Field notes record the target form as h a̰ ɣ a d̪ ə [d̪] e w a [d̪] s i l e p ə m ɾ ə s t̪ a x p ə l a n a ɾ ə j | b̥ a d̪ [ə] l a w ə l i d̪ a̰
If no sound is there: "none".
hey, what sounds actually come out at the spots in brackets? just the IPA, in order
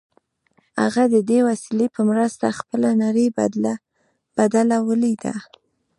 d̪, none, a

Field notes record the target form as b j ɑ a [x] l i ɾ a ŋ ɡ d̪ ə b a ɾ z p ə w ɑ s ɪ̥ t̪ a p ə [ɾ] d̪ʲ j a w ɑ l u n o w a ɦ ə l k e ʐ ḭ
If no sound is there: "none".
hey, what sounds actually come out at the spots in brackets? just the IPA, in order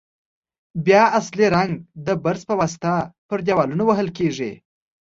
s, ɾ

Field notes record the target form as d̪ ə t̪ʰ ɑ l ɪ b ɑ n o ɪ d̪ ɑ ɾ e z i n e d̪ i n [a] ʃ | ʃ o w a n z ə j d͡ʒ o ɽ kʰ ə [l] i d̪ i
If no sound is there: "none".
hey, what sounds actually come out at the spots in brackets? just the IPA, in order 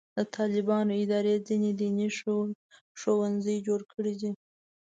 i, ɽ

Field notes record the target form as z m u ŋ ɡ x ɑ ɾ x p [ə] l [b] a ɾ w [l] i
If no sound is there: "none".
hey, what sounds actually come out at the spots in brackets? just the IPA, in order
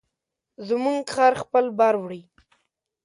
ə, b, ɽ

